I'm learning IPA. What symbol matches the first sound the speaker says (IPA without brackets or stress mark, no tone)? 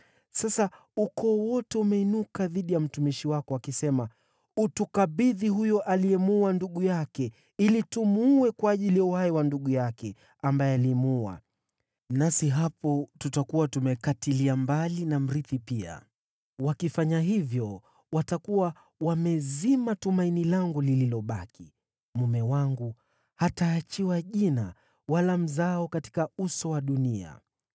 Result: s